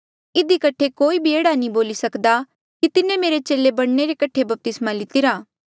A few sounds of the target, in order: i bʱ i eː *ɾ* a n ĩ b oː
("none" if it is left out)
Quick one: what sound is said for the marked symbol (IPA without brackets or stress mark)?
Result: ɽ